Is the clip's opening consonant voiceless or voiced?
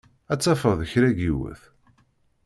voiceless